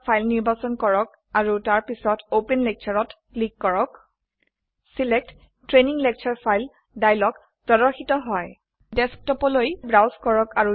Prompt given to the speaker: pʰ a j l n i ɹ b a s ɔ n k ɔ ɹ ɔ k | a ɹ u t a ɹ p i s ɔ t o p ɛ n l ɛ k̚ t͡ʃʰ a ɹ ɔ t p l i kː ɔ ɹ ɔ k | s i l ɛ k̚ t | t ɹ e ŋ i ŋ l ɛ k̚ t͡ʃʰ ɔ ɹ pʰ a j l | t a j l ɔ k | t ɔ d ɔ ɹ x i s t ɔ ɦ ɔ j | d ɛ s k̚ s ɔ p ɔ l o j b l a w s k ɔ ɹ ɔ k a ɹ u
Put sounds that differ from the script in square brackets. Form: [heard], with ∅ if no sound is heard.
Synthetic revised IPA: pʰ a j l n i ɹ b a s ɔ n k ɔ ɹ ɔ k | a ɹ u t a ɹ p i s ɔ t o p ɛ n l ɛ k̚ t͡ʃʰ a ɹ ɔ t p l i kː ɔ ɹ ɔ k | s i l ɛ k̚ t | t ɹ e [n] i ŋ l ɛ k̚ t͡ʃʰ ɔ ɹ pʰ a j l | [d] a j l ɔ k | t ɔ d ɔ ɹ x i [∅] t ɔ ɦ ɔ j | d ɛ s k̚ [t] ɔ p ɔ l o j b [ɹ] a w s k ɔ ɹ ɔ k a ɹ u